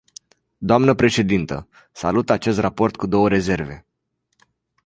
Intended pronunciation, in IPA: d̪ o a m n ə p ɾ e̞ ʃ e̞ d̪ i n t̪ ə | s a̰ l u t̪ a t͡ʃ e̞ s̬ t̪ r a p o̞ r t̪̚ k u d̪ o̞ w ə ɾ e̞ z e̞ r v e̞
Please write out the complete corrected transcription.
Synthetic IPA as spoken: d̪ o a m n ə p ɾ e̞ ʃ e̞ d̪ i n t̪ ə | s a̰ l u t̪ a t͡ʃ e̞ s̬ t̪ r a p o̞ r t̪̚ k u d̪ o̞ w ə ɾ e̞ z e̞ r v e̞